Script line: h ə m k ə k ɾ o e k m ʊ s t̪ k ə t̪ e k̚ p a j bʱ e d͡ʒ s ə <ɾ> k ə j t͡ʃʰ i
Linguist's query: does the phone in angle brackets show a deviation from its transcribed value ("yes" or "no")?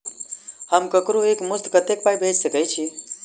yes